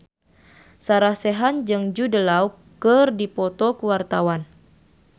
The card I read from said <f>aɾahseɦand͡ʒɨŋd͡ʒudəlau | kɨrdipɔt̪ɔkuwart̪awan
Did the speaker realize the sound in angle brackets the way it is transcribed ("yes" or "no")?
no